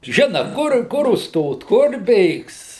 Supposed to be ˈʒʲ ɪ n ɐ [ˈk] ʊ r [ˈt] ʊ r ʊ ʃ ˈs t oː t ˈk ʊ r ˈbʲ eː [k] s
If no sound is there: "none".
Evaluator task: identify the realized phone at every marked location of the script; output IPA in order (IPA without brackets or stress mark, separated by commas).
k, k, k